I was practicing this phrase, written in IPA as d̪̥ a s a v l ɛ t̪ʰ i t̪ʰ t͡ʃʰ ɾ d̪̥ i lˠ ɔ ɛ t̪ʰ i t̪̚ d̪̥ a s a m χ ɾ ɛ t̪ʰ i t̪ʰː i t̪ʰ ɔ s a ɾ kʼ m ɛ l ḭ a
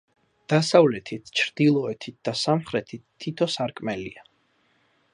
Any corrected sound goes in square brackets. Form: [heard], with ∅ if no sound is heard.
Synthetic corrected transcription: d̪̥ a s a v l ɛ t̪ʰ i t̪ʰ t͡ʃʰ ɾ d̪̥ i lˠ ɔ ɛ t̪ʰ i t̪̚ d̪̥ a s a m χ ɾ ɛ t̪ʰ i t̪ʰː i t̪ʰ ɔ s a ɾ kʼ m ɛ l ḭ a